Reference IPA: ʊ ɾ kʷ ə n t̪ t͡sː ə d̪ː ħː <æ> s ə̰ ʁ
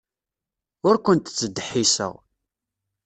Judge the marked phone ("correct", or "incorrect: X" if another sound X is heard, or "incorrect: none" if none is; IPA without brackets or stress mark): incorrect: i